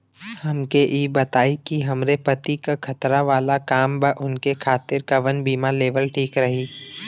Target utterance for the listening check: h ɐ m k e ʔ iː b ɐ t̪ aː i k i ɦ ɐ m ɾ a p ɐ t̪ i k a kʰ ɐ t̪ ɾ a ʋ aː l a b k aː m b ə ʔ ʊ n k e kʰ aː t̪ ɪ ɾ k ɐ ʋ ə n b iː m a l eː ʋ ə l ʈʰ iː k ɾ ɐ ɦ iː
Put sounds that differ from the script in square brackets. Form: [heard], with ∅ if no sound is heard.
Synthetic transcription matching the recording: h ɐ m k e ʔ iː b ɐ t̪ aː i k i ɦ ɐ m ɾ [e] p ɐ t̪ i k a kʰ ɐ t̪ ɾ a ʋ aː l a [∅] k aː m b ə ʔ ʊ n k e kʰ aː t̪ ɪ ɾ k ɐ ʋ ə n b iː m a l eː ʋ ə l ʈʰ iː k ɾ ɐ ɦ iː

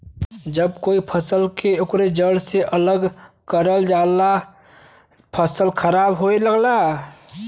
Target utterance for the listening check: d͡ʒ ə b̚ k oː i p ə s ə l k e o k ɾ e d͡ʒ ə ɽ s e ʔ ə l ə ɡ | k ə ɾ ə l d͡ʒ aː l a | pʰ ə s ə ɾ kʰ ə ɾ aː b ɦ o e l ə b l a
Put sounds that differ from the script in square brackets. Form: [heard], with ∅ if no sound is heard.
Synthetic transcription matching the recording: d͡ʒ ə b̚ k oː i [pʰ] ə s ə l k e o k ɾ e d͡ʒ ə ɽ s e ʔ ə l ə ɡ | k ə ɾ ə l d͡ʒ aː l a | pʰ ə s ə [l] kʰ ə ɾ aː b ɦ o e l ə [ɡ] l a

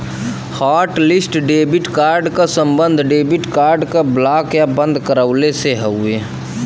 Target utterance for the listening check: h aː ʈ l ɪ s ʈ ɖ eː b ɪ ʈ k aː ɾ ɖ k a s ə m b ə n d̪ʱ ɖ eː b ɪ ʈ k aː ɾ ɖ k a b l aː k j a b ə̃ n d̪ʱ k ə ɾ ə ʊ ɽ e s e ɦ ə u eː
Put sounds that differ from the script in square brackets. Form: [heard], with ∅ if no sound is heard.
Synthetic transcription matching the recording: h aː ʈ l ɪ s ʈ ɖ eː b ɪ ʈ k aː ɾ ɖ k a s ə m b ə n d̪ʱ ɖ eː b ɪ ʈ k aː ɾ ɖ k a b l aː k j a b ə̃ n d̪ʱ k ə ɾ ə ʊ [l] e s e ɦ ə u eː

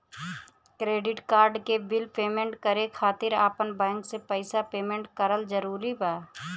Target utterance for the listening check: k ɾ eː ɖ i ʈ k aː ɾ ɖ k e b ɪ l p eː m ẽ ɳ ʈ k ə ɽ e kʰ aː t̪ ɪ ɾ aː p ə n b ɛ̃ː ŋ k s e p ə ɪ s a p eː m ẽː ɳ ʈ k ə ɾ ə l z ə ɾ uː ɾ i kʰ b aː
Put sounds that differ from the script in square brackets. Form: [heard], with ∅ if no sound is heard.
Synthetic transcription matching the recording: k ɾ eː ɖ [ɪ] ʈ k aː ɾ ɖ k e b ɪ l p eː m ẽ ɳ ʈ k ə [ɾ] e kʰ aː t̪ ɪ ɾ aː p ə n b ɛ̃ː ŋ k s e p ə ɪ s a p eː m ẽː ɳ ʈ k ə ɾ ə l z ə ɾ uː ɾ i [∅] b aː

